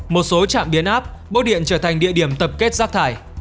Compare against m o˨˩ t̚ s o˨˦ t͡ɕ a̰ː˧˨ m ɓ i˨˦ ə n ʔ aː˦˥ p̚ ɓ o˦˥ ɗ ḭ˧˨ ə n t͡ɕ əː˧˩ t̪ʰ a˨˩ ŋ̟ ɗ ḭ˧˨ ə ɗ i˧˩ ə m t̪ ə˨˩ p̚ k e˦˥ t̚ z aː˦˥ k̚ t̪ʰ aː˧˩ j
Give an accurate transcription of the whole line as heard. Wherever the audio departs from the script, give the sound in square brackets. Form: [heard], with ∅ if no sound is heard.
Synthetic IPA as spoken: m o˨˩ t̚ s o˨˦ t͡ɕ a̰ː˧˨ m ɓ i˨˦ ə n ʔ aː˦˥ p̚ ɓ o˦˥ ɗ ḭ˧˨ ə n t͡ɕ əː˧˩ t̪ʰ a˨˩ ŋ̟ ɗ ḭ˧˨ ə ɗ i˧˩ ə m t̪ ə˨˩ p̚ k e˦˥ t̚ z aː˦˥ k̚ t̪ʰ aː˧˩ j